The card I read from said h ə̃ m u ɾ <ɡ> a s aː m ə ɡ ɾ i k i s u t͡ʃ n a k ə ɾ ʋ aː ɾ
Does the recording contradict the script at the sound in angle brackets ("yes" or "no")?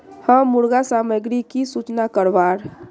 no